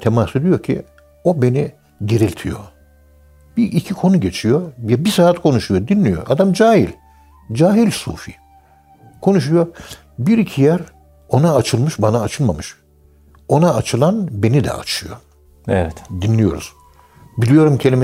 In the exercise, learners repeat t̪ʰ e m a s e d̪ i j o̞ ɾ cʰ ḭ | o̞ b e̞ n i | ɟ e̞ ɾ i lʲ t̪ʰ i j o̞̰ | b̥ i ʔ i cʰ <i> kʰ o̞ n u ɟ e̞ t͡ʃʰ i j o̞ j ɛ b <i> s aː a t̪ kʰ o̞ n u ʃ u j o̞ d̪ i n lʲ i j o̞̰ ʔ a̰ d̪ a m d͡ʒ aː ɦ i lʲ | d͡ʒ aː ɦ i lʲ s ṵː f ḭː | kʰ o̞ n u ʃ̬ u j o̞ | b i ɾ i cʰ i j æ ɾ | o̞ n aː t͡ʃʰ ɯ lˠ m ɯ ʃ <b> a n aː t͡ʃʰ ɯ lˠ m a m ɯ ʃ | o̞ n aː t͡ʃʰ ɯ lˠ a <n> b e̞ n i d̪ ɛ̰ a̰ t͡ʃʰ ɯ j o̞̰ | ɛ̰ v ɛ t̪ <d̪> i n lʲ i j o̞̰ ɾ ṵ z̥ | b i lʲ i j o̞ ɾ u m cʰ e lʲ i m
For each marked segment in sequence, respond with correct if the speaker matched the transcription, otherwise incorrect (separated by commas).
correct, correct, correct, correct, correct